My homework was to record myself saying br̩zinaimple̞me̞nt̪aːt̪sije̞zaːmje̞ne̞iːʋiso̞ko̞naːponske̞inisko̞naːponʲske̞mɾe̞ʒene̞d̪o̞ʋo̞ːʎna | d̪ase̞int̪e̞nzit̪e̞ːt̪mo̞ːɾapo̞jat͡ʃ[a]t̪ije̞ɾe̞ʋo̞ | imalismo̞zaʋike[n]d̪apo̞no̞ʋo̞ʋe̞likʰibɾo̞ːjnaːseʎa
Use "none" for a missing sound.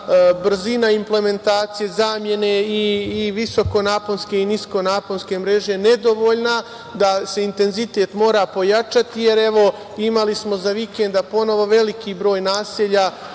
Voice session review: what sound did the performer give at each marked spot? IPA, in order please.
a, n

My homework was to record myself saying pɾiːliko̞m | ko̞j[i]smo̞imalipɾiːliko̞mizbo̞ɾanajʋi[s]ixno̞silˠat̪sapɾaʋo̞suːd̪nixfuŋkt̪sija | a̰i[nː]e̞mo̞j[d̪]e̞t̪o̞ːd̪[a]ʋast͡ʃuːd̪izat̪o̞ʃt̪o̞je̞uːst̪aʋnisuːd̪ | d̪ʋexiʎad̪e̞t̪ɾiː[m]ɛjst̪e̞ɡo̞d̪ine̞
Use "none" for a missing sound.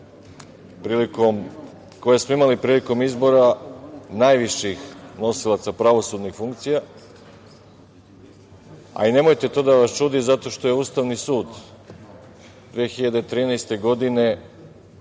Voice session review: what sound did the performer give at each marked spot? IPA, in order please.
e, ʃ, n, t̪, a, n

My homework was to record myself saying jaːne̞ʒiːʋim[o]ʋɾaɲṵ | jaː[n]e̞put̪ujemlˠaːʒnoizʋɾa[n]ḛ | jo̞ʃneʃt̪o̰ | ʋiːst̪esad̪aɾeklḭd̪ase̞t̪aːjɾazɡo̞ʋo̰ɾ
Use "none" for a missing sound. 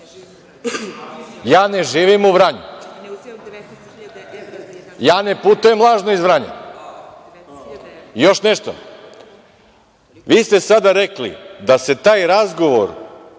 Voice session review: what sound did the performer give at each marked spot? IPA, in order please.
u, n, ɲ

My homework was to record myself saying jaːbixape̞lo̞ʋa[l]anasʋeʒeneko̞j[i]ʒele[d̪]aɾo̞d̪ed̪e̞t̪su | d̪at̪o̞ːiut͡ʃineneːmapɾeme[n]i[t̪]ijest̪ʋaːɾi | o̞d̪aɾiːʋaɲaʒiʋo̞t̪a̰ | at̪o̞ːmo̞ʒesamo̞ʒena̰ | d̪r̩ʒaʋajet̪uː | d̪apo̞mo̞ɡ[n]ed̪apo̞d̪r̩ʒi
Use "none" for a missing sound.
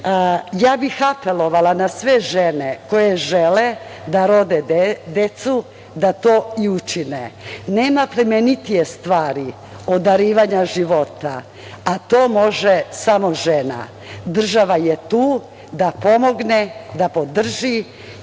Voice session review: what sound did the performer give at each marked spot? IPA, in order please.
l, e, d̪, n, t̪, n

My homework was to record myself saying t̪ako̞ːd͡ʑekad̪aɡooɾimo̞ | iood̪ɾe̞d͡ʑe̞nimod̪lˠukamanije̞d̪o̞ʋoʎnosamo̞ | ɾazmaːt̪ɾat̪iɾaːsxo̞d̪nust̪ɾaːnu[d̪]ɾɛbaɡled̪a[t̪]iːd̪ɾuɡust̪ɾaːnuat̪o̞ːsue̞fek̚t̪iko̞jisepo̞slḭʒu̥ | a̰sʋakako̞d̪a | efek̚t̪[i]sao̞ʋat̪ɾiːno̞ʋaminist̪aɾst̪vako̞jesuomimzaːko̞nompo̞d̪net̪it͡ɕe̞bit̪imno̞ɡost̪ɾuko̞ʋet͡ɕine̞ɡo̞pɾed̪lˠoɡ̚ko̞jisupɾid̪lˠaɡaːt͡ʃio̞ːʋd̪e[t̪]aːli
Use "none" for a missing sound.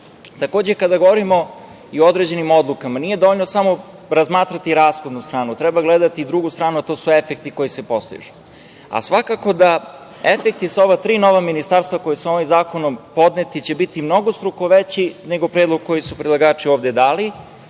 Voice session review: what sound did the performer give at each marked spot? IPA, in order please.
t̪, t̪, i, d̪

